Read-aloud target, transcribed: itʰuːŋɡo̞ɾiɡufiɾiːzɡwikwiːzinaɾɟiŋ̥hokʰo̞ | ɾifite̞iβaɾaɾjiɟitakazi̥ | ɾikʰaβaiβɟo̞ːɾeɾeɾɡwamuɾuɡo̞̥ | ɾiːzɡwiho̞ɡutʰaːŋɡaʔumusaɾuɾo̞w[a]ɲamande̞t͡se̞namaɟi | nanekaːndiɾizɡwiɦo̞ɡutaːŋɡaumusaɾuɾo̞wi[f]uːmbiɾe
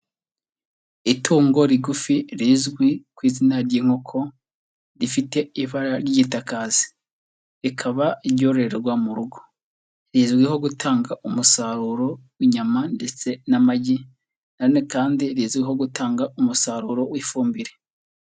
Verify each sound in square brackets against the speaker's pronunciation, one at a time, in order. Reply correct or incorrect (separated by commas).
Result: incorrect, correct